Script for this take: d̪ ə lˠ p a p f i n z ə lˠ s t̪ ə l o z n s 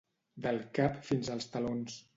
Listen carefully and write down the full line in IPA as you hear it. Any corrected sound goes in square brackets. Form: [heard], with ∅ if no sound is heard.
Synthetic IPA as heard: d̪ ə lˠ [k] a p f i n z ə lˠ s t̪ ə l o [∅] n s